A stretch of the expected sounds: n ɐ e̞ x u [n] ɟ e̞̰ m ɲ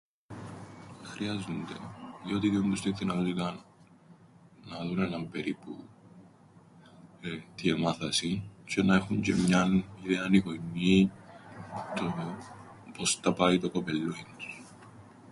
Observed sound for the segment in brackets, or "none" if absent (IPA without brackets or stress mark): ɲ